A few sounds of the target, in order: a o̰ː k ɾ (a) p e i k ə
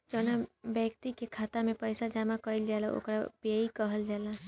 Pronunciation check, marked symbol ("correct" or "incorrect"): correct